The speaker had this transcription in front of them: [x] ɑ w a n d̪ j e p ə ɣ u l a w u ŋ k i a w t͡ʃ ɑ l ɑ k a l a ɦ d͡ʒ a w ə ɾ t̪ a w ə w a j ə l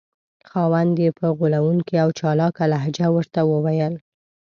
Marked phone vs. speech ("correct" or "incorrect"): correct